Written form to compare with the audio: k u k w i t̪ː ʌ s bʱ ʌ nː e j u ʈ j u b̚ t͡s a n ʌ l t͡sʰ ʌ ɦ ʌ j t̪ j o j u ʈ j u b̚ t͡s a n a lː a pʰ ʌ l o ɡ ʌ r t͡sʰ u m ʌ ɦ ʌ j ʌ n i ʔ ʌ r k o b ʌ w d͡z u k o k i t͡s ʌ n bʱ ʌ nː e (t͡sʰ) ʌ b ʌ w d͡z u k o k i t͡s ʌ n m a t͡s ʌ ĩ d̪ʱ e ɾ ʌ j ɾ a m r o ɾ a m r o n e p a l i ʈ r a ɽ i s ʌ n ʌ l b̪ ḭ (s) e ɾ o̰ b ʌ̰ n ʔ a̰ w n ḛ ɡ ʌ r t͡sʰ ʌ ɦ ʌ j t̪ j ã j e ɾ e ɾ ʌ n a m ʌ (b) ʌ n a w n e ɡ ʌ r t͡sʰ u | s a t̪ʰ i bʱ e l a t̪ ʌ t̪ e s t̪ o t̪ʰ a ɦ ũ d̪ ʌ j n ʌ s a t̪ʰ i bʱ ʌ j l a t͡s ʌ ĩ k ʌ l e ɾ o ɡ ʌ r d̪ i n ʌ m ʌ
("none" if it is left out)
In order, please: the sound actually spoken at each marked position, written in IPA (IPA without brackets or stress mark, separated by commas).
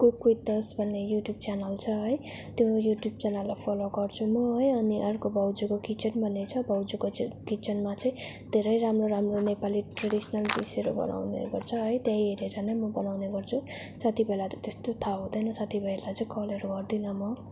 t͡sʰ, s, b